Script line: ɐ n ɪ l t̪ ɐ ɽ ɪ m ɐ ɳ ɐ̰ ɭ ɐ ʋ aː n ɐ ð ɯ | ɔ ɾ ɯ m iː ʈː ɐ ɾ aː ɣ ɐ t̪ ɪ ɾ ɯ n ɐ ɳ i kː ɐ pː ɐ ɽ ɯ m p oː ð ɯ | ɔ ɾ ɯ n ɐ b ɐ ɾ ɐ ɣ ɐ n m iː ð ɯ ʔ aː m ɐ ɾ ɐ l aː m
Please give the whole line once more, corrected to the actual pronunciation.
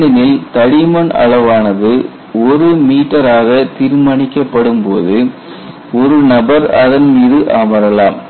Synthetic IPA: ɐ n ɪ l t̪ ɐ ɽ ɪ m ɐ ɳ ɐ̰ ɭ ɐ ʋ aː n ɐ ð ɯ | ɔ ɾ ɯ m iː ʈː ɐ ɾ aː ɣ ɐ t̪ ɪ ɾ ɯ m ɐ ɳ ɪ kː ɐ pː ɐ ɽ ɯ m p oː ð ɯ | ɔ ɾ ɯ n ɐ b ɐ ɾ ɐ ð ɐ n m iː ð ɯ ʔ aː m ɐ ɾ ɐ l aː m